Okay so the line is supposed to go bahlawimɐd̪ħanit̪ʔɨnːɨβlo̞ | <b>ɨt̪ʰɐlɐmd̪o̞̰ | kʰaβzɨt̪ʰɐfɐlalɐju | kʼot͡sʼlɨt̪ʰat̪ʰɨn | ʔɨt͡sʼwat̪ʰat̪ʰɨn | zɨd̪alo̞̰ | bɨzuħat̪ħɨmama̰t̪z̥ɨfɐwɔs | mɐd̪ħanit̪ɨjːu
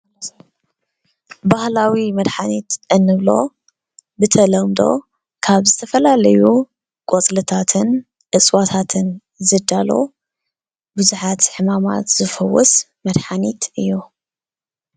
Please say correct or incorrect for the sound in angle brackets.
correct